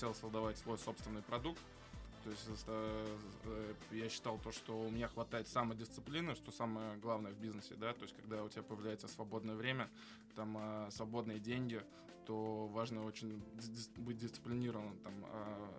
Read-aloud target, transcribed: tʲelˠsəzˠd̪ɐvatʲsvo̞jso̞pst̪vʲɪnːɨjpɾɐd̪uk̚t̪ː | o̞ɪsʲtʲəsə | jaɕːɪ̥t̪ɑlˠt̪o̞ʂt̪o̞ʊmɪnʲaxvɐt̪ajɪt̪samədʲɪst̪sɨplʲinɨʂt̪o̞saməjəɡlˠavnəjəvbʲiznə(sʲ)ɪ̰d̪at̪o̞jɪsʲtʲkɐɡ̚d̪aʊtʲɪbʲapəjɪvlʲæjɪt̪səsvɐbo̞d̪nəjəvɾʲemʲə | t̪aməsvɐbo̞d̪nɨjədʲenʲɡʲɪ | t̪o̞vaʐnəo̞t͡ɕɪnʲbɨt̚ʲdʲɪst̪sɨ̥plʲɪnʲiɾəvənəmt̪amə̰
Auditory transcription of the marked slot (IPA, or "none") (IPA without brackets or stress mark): sʲ